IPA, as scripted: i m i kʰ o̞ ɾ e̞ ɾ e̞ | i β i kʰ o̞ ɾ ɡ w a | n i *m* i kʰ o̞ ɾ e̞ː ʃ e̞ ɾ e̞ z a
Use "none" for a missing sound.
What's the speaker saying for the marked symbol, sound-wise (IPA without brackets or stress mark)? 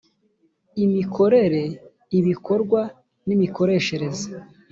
m